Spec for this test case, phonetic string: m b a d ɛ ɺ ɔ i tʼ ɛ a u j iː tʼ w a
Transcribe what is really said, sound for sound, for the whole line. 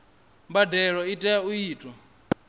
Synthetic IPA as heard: m b a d ɛ ɺ ɔ i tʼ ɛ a u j iː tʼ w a